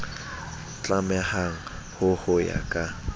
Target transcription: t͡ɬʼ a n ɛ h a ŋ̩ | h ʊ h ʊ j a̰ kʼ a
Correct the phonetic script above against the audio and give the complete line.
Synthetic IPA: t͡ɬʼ a m ɛ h a ŋ̩ | h ʊ h ʊ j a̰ kʼ a